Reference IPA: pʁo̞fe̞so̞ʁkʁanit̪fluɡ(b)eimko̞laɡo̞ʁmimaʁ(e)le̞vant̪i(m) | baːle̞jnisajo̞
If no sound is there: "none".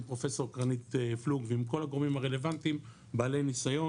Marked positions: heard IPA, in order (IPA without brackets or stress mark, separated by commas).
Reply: v, e, m